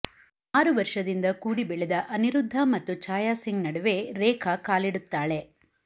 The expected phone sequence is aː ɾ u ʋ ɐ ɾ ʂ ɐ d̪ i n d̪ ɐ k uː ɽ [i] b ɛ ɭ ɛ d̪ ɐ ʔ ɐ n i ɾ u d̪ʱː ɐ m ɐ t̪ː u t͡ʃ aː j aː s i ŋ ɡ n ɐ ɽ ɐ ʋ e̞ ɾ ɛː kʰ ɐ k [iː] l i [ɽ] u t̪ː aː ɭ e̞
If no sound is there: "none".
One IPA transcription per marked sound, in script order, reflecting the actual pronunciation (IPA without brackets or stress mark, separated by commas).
i, aː, ɽ